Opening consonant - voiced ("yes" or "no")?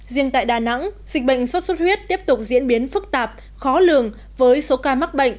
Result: yes